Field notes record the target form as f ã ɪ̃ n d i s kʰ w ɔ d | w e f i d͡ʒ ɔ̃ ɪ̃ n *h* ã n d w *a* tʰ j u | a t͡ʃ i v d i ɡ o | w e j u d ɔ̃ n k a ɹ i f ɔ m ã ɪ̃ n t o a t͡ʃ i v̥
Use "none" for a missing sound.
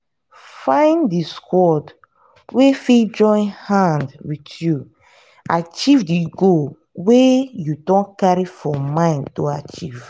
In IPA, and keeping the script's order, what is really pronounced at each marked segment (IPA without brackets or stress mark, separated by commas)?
h, i